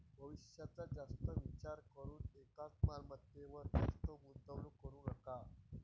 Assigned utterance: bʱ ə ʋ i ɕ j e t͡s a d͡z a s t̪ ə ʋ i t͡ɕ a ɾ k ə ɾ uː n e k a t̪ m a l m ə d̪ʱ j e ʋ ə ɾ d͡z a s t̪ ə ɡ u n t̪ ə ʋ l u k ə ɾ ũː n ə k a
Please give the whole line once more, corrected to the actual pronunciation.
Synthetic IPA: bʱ ə ʋ i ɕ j a t͡s a d͡z a s t̪ ə ʋ i t͡ɕ a ɾ k ə ɾ uː n e k a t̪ m a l m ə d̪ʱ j e ʋ ə ɾ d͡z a s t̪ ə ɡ u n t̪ ə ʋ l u k ə ɾ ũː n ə k a